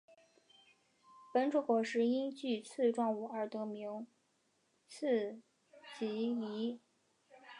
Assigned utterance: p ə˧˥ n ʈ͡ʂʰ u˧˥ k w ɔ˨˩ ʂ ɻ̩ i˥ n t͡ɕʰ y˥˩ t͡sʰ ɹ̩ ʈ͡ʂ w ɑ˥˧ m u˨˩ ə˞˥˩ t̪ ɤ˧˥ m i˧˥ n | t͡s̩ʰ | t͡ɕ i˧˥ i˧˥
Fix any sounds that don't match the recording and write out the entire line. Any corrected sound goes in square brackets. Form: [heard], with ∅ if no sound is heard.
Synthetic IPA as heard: p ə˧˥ n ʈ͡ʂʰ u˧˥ k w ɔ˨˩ ʂ ɻ̩ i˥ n [t͡ɕ] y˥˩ t͡sʰ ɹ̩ ʈ͡ʂ w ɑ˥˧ [ŋ] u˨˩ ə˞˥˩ t̪ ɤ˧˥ m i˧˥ [ŋ] | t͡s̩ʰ | t͡ɕ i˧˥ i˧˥